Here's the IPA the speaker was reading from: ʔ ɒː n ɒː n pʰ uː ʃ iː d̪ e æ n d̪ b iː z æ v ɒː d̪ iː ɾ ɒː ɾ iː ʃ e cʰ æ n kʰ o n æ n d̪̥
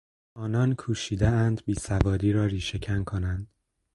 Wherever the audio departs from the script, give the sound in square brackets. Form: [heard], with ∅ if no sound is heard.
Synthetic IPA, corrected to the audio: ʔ ɒː n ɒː n [kʰ] uː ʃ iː d̪ e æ n d̪ b iː [s] æ v ɒː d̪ iː ɾ ɒː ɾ iː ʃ e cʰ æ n kʰ o n æ n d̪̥

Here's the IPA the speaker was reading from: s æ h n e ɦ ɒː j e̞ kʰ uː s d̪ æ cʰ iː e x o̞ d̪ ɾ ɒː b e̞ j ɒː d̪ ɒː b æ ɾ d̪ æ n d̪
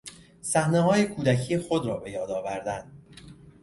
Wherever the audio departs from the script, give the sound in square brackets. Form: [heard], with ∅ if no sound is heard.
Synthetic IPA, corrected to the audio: s æ h n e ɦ ɒː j e̞ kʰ uː [∅] d̪ æ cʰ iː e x o̞ d̪ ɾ ɒː b e̞ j ɒː d̪ ɒː [v] æ ɾ d̪ æ n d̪

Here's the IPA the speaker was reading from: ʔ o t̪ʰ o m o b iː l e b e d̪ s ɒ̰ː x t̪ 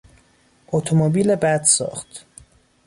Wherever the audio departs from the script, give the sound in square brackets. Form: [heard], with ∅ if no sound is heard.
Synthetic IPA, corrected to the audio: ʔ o t̪ʰ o m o b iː l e b [æ] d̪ s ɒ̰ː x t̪

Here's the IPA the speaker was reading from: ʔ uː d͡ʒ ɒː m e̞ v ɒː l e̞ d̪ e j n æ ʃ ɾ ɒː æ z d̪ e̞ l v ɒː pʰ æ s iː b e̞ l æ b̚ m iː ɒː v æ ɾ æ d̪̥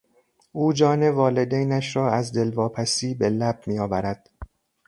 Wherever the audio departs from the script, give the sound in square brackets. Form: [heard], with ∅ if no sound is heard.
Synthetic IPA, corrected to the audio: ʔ uː d͡ʒ ɒː [n] e̞ v ɒː l e̞ d̪ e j n æ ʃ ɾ ɒː æ z d̪ e̞ l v ɒː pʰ æ s iː b e̞ l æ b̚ m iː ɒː v æ ɾ æ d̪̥

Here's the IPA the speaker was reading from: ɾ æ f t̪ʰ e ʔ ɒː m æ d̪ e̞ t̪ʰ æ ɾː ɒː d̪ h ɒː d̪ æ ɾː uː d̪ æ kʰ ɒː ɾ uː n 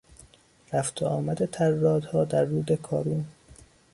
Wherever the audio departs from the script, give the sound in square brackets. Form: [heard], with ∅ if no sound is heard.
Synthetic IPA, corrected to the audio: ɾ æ f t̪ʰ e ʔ ɒː m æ d̪ e̞ t̪ʰ æ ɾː ɒː d̪ h ɒː d̪ æ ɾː uː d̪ [e] kʰ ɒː ɾ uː n

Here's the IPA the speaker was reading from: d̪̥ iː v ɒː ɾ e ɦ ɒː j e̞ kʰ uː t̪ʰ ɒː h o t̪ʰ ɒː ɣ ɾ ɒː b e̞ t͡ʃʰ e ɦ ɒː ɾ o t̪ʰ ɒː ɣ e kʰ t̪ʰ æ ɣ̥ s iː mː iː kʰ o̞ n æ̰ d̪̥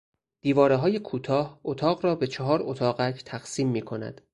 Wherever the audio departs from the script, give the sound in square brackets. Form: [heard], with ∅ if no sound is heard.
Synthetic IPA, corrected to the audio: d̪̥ iː v ɒː ɾ e ɦ ɒː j e̞ kʰ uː t̪ʰ ɒː h o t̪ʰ ɒː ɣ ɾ ɒː b e̞ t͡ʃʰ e ɦ ɒː ɾ o t̪ʰ ɒː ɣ [æ] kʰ t̪ʰ æ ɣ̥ s iː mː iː kʰ o̞ n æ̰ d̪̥

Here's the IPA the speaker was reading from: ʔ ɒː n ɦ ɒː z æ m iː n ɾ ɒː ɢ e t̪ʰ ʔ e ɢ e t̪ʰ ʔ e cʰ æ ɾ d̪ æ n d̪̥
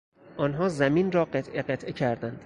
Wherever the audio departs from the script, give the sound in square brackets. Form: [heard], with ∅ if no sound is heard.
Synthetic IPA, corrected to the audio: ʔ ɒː n ɦ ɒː z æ m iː n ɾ ɒː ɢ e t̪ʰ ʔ e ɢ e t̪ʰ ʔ e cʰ æ ɾ d̪ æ n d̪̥

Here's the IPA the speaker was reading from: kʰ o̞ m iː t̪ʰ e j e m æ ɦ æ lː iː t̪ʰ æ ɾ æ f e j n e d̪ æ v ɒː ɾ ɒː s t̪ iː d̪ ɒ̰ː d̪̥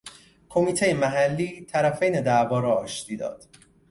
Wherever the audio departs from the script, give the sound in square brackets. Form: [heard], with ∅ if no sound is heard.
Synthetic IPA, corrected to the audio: kʰ o̞ m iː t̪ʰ e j e m æ ɦ æ lː iː t̪ʰ æ ɾ æ f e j n e d̪ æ v ɒː ɾ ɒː [ʃ] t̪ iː d̪ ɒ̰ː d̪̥

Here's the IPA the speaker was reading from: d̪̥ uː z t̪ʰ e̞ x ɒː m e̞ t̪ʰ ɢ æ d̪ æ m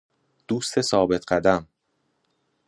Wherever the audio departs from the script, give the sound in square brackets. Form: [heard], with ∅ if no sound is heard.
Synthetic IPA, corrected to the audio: d̪̥ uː [s] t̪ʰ e̞ [s] ɒː [b] e̞ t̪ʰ ɢ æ d̪ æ m

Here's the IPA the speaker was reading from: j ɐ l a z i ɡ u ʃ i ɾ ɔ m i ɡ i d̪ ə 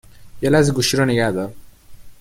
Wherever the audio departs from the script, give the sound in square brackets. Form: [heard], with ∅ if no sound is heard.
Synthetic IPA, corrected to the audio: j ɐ l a z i ɡ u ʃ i ɾ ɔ [n] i ɡ [a] d̪ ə

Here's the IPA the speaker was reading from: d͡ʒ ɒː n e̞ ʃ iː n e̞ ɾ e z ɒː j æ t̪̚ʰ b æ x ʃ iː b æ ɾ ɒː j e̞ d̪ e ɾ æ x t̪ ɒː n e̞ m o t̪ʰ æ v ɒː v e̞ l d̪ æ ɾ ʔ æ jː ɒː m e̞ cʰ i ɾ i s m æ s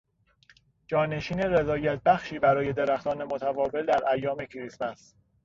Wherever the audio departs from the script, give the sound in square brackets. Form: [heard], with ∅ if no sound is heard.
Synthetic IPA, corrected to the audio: d͡ʒ ɒː n e̞ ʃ iː n e̞ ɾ e z ɒː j æ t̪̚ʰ b æ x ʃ iː b æ ɾ ɒː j e̞ d̪ e ɾ æ x t̪ ɒː n e̞ m o t̪ʰ æ v ɒː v e̞ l d̪ æ ɾ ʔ æ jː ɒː m e̞ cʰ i ɾ i s m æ s

